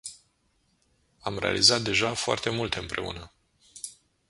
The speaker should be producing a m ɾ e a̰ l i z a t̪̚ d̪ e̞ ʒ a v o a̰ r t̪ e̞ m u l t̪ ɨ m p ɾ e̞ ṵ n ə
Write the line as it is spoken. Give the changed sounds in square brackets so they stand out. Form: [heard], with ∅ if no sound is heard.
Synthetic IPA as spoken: a m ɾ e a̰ l i z a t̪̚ d̪ e̞ ʒ a [f] o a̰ r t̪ e̞ m u l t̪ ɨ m p ɾ e̞ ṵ n ə